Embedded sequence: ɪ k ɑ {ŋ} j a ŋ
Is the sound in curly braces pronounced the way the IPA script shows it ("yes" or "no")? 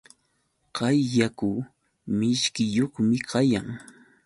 no